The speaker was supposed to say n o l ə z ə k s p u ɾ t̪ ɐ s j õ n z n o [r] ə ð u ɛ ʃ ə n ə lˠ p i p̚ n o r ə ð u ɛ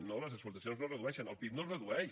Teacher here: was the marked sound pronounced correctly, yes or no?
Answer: yes